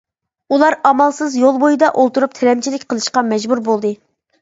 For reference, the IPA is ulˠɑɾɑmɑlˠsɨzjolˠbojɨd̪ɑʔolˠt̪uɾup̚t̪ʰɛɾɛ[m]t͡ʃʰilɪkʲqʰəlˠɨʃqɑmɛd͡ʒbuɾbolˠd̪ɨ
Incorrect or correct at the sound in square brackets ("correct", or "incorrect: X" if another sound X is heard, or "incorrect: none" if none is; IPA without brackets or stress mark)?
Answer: correct